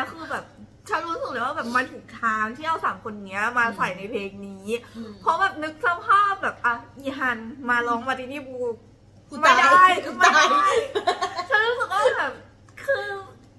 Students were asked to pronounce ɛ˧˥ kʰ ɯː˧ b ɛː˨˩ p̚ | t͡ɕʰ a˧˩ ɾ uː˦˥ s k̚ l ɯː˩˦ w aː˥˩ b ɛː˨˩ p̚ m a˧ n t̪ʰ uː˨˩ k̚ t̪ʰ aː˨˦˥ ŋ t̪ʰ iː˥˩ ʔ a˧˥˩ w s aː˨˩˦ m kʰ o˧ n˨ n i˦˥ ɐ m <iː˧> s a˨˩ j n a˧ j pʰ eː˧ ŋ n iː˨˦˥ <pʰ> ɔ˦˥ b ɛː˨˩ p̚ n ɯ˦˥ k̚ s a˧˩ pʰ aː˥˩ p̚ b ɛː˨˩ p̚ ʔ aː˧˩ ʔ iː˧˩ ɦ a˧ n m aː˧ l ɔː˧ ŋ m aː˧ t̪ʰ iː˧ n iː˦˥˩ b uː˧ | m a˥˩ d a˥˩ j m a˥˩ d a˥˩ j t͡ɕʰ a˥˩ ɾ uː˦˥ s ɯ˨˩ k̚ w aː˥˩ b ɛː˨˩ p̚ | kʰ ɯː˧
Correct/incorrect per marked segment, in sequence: incorrect: aː˧, correct

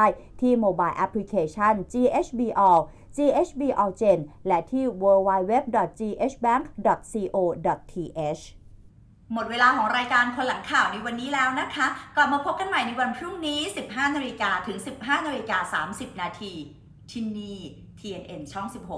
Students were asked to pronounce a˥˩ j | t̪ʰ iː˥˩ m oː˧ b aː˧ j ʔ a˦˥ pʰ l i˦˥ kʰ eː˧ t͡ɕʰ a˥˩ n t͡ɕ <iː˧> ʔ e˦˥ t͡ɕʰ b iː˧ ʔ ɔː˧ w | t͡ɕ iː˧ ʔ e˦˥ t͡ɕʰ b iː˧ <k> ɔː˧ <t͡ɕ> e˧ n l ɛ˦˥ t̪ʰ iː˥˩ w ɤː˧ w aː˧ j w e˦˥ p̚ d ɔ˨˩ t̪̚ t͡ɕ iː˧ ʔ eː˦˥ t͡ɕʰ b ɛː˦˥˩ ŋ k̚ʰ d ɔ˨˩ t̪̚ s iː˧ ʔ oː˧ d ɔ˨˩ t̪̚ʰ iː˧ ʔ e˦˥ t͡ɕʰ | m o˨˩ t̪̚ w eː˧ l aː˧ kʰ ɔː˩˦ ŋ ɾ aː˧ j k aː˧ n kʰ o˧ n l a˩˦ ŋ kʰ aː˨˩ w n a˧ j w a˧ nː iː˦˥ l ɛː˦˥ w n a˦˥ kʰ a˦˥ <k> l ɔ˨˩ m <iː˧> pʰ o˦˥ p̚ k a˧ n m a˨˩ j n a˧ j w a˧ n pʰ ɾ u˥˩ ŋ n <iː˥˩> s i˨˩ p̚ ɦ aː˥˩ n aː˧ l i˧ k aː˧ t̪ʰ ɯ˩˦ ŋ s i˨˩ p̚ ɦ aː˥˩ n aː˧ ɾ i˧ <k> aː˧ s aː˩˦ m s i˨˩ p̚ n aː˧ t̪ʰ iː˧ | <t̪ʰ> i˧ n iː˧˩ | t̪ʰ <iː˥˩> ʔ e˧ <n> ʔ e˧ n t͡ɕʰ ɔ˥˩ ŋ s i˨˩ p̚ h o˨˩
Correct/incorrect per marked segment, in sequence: correct, incorrect: ʔ, correct, correct, incorrect: aː˧, incorrect: iː˦˥, correct, correct, incorrect: iː˧, correct

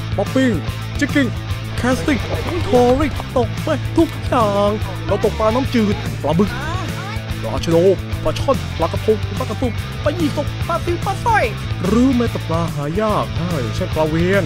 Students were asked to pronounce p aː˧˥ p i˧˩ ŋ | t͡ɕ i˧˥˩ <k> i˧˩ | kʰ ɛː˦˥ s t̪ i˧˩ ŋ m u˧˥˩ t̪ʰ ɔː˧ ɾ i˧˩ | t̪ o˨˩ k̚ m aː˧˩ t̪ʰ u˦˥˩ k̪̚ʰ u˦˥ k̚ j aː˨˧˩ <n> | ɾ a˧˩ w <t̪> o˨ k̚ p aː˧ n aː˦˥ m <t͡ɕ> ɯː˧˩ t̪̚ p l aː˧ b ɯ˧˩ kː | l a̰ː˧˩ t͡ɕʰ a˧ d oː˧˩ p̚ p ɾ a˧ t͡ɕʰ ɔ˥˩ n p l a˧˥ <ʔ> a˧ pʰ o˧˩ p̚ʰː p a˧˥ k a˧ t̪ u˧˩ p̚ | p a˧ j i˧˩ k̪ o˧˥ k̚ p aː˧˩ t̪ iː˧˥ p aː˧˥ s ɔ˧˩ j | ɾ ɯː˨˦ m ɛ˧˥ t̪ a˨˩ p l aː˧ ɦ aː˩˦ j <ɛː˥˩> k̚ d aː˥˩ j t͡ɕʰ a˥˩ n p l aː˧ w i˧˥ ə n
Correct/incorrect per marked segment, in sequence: correct, incorrect: ŋ, correct, correct, incorrect: k, incorrect: aː˥˩

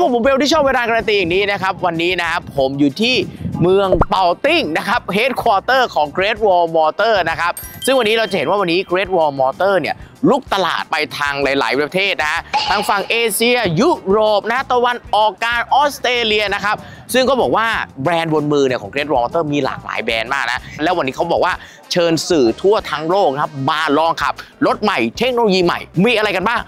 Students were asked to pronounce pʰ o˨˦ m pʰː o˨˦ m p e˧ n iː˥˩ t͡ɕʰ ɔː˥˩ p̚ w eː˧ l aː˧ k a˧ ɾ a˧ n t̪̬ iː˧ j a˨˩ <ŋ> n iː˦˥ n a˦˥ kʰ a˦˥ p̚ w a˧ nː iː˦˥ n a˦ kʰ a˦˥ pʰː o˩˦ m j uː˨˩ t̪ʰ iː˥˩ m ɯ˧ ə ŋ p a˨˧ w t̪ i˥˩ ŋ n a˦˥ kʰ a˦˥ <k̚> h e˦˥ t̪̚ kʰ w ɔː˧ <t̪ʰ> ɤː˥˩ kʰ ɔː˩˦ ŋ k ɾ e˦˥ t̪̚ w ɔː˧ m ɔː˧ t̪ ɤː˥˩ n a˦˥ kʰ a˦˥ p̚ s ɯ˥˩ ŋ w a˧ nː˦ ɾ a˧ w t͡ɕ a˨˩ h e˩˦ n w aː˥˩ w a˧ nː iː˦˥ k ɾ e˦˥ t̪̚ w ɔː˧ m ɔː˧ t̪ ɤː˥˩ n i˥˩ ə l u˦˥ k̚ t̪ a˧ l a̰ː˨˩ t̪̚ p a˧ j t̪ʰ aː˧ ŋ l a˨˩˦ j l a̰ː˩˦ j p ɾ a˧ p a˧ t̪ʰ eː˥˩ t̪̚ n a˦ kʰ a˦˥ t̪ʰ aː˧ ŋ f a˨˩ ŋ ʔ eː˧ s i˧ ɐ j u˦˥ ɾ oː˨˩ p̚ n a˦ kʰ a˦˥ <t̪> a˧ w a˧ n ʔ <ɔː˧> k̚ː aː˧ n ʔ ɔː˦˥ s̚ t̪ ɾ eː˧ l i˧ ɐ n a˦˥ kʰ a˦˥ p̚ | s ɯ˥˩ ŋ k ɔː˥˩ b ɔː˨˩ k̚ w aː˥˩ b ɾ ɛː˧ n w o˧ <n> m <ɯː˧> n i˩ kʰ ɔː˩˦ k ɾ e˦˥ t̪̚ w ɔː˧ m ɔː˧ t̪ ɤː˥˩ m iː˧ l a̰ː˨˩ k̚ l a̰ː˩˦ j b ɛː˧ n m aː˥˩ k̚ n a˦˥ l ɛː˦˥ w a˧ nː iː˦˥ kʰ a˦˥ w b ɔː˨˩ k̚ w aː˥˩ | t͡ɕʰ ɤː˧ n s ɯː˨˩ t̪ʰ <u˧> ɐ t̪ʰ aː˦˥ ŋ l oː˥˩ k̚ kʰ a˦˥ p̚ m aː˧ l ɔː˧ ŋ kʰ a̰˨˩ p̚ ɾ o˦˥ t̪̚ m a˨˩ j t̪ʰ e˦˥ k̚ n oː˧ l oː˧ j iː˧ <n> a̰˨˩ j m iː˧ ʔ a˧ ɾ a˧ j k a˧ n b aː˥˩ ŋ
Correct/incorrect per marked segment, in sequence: correct, incorrect: p̚, incorrect: t̪, correct, incorrect: ɔː˨˩, correct, correct, incorrect: u˥˩, incorrect: m

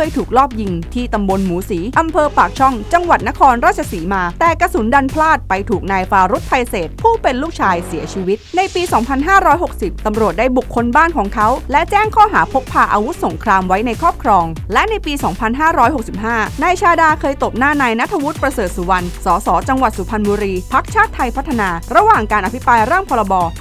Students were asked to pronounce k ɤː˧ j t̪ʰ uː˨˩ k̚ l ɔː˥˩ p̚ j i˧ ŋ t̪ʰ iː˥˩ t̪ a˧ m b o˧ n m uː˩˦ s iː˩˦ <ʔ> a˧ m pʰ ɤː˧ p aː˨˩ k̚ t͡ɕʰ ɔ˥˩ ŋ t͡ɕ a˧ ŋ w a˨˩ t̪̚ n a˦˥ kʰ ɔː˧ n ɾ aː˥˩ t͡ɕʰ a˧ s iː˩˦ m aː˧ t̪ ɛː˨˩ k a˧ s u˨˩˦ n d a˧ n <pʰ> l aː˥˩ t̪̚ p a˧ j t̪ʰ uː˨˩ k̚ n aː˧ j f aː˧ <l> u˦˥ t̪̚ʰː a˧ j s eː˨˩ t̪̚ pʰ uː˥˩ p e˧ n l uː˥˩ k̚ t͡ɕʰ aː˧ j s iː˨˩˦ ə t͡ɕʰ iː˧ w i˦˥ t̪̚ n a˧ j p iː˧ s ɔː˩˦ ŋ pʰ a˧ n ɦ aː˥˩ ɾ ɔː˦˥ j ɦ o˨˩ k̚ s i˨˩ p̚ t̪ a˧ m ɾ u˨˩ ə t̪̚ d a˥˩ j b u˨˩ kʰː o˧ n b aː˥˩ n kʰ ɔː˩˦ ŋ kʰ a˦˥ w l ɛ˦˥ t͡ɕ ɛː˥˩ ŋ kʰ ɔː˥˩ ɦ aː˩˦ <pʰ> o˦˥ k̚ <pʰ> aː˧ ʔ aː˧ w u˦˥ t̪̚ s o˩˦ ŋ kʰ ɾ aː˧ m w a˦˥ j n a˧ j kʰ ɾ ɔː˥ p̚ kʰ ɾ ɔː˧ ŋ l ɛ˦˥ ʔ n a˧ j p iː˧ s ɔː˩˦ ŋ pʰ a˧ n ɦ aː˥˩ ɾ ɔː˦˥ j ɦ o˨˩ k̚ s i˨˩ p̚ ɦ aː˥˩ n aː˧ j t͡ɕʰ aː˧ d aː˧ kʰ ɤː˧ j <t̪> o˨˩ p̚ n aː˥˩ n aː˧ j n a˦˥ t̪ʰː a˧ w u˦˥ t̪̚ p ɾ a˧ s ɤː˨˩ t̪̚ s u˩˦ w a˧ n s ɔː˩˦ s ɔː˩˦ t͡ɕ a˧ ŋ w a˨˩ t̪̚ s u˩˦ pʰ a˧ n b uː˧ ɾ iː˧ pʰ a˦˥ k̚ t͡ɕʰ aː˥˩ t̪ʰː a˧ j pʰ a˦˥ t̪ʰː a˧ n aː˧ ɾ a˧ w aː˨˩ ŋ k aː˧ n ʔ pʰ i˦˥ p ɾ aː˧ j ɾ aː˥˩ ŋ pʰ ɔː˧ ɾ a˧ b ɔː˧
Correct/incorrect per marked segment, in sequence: correct, correct, incorrect: ɾ, correct, correct, correct

